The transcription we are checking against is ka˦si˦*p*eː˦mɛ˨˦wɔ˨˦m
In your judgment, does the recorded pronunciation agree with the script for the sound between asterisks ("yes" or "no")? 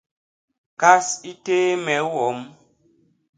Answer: no